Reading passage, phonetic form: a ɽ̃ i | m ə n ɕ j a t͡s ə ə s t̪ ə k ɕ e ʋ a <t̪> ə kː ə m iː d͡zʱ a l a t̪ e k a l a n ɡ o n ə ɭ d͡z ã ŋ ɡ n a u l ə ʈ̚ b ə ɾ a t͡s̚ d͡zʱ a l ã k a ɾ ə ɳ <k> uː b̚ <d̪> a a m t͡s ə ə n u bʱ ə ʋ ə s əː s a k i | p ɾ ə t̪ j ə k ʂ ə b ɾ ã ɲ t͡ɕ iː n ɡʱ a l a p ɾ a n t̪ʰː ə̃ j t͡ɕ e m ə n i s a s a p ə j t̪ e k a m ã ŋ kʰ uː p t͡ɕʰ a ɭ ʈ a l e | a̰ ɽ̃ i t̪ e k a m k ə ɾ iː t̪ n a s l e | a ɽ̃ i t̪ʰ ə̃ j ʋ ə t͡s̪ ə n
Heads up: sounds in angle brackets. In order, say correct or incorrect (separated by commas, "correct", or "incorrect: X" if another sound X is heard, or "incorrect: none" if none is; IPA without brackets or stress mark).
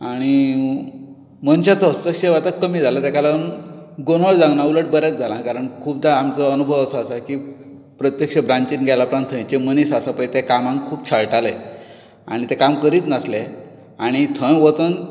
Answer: correct, incorrect: kʰ, correct